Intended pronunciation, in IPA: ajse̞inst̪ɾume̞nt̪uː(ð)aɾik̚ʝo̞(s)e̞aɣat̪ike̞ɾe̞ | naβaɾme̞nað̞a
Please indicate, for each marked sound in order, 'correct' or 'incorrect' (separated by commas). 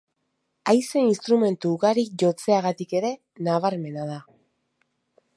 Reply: incorrect, incorrect